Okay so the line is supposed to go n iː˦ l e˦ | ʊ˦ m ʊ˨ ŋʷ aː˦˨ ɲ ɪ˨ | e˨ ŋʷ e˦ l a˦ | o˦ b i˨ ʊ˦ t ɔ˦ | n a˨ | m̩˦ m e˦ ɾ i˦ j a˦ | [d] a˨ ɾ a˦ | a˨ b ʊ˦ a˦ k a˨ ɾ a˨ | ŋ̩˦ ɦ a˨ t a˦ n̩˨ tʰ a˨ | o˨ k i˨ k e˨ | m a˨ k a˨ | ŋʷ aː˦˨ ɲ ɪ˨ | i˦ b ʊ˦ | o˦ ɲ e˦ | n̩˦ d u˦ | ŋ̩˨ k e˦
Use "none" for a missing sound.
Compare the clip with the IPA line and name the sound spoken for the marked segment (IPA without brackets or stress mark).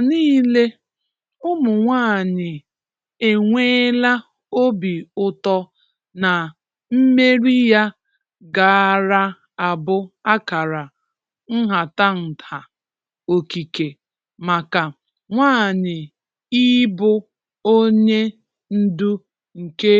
ɡ